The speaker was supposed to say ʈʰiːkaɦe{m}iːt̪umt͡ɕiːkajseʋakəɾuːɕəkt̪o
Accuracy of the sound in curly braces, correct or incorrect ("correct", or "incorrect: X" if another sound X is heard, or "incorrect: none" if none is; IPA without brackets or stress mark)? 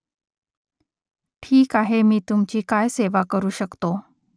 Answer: correct